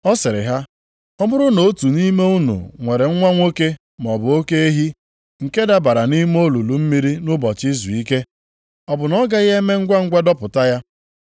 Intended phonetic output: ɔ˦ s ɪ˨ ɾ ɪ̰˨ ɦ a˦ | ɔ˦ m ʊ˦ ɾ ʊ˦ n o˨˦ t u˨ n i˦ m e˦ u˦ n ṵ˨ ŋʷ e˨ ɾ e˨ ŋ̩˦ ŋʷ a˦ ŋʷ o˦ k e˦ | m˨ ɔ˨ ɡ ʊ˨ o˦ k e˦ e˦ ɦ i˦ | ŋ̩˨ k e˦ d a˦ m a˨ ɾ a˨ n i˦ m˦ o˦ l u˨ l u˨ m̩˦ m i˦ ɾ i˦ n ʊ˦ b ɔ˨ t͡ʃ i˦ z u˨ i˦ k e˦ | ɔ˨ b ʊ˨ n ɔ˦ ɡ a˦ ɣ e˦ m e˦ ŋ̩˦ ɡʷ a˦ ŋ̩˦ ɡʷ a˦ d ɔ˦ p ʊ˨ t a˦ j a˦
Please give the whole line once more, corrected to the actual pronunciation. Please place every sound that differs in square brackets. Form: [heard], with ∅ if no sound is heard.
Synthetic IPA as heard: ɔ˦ s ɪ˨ ɾ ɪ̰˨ ɦ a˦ | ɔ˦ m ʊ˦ ɾ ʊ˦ n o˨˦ t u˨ n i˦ m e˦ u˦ n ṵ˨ ŋʷ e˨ ɾ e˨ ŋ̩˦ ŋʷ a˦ ŋʷ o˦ k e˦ | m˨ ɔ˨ [b] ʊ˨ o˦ k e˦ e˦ ɦ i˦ | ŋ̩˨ k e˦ d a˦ [b] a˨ ɾ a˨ n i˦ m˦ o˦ l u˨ l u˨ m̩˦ m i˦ ɾ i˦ n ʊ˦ b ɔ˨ t͡ʃ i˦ z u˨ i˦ k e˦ | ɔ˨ b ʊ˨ n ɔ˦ ɡ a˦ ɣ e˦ m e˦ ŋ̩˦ ɡʷ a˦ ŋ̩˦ ɡʷ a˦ d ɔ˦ p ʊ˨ t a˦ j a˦